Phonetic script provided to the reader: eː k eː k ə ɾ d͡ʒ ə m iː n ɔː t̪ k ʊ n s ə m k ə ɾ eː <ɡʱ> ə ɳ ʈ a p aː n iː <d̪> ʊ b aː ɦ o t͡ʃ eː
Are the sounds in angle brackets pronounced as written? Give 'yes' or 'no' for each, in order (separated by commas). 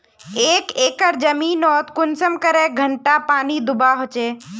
yes, yes